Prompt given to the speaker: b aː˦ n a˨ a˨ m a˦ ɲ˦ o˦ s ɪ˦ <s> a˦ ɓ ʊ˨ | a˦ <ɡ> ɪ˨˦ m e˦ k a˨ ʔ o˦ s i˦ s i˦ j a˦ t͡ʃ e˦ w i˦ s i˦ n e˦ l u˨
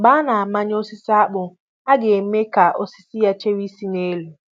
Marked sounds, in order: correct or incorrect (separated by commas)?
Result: correct, correct